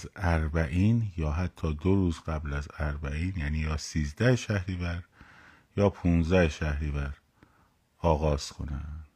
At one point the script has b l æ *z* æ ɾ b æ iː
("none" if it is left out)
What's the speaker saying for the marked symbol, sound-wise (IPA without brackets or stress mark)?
z